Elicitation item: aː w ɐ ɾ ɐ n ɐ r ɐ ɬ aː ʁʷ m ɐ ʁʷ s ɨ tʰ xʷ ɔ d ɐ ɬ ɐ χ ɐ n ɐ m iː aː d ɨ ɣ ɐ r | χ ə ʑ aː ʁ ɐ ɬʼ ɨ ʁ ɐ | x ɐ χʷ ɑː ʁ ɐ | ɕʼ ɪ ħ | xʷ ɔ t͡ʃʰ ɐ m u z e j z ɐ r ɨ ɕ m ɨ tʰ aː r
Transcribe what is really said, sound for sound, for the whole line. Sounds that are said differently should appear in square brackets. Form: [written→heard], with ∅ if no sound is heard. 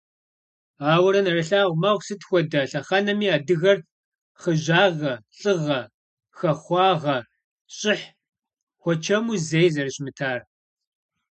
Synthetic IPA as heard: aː w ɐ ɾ ɐ n ɐ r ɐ ɬ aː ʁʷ m ɐ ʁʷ s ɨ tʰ xʷ ɔ d ɐ ɬ ɐ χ ɐ n ɐ m iː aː d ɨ ɣ ɐ r | χ ə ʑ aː ʁ ɐ ɬʼ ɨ ʁ ɐ | x ɐ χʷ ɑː ʁ ɐ | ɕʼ ɪ ħ | xʷ ɔ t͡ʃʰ ɐ m u z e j z ɐ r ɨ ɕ m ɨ tʰ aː r